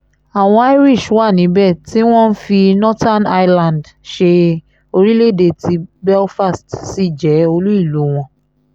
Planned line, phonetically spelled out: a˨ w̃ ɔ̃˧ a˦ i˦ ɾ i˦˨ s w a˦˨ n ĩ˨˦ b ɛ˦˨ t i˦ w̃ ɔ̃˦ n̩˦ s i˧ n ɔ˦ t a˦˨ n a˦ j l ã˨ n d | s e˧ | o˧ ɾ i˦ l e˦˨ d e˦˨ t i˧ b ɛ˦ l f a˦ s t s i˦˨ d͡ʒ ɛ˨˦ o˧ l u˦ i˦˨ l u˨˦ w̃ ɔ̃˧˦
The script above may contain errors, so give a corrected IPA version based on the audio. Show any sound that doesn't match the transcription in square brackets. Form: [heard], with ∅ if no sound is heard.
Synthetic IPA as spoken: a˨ w̃ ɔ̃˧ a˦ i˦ ɾ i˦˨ [ʃ] w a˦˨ n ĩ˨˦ b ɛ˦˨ t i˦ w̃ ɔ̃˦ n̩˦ [f] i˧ n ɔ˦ t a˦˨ n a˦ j l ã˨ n d | [ʃ] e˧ | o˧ ɾ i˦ l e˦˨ d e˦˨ t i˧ b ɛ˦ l f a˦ s t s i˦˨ d͡ʒ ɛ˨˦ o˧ l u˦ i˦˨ l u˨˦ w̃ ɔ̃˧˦